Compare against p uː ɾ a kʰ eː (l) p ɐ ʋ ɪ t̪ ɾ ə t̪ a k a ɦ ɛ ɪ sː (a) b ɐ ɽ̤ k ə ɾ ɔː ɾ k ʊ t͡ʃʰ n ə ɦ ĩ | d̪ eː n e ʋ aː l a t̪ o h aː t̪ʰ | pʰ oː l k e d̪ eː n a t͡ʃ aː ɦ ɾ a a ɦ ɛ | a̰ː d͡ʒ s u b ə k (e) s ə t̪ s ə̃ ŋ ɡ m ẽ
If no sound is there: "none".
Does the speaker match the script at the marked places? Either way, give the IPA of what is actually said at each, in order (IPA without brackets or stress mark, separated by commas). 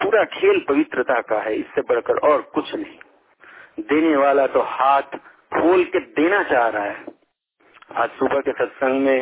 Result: l, e, e